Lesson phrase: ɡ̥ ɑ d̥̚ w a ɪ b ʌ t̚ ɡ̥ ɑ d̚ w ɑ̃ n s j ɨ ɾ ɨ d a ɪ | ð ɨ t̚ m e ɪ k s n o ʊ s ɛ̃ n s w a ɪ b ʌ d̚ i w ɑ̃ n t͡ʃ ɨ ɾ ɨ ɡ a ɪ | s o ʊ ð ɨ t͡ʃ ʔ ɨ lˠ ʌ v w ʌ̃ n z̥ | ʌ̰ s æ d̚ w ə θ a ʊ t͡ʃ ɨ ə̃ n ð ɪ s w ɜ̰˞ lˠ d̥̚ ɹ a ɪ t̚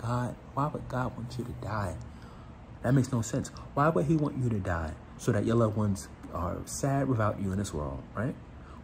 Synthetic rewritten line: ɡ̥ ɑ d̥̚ w a ɪ b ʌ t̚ ɡ̥ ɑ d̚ w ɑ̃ n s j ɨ ɾ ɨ d a ɪ | ð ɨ t̚ m e ɪ k s n o ʊ s ɛ̃ n s w a ɪ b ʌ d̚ i w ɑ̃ n t͡ʃ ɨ ɾ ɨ d a ɪ | s o ʊ ð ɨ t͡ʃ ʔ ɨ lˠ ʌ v w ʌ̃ n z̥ | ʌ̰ s æ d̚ w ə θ a ʊ t͡ʃ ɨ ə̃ n ð ɪ s w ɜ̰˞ lˠ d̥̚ ɹ a ɪ t̚